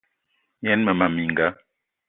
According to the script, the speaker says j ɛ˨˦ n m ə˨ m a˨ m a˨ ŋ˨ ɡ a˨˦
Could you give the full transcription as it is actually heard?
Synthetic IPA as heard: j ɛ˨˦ n m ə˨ m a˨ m i˨ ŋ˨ ɡ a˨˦